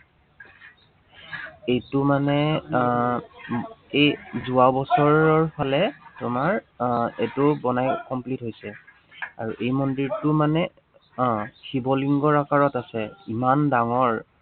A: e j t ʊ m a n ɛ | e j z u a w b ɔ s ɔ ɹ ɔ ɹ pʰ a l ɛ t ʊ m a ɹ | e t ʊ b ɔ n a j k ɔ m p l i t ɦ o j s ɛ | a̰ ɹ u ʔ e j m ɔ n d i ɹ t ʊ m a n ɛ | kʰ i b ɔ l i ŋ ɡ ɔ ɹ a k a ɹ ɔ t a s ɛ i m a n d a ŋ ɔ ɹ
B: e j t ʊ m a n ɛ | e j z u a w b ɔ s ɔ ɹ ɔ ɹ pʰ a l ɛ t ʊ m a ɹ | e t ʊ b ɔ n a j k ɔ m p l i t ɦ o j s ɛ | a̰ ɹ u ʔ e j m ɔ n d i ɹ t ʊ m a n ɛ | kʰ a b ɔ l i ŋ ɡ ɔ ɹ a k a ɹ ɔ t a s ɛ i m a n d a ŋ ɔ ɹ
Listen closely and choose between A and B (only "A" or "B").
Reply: A